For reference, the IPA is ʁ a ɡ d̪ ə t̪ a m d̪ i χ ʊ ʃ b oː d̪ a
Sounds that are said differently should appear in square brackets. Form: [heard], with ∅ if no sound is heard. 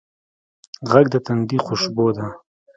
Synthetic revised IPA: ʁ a ɡ d̪ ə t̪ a [n] d̪ i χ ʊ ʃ b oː d̪ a